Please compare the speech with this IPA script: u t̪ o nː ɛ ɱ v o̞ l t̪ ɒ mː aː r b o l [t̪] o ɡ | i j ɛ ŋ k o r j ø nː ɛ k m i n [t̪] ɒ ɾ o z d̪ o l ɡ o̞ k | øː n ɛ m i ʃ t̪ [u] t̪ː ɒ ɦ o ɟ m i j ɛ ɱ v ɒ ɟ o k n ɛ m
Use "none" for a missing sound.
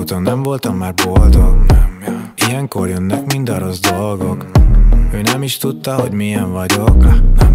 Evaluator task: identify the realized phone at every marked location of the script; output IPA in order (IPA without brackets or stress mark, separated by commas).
d̪, d̪, u